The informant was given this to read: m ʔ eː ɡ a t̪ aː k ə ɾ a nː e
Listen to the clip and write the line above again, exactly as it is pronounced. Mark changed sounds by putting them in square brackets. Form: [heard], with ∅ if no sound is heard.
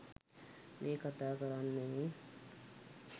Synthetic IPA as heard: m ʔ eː [k] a t̪ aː k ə ɾ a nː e